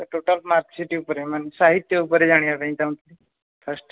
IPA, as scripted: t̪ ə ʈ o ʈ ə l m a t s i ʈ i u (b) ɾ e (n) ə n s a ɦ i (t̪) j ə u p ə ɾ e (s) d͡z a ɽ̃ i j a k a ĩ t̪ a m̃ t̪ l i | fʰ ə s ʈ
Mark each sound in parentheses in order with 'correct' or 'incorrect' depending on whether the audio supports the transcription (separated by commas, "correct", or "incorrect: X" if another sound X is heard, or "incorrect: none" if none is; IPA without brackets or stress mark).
incorrect: p, incorrect: m, correct, incorrect: none